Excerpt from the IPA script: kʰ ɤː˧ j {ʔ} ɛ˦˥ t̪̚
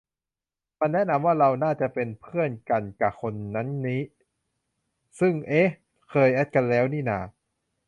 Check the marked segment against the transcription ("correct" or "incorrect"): correct